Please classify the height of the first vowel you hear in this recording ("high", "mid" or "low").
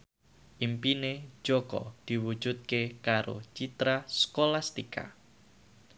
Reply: high